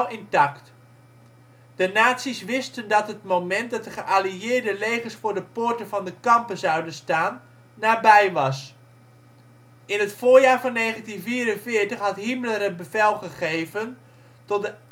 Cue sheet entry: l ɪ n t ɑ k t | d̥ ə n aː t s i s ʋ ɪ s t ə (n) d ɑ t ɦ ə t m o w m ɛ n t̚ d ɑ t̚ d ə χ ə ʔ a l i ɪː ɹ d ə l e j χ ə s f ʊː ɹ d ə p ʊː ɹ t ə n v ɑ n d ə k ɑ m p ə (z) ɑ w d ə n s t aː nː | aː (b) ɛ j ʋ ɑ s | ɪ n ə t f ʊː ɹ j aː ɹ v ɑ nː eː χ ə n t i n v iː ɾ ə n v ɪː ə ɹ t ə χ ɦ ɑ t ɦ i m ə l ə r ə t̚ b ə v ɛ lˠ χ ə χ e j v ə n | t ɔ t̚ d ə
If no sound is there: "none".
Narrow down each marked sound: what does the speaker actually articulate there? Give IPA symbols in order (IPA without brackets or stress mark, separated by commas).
n, z, b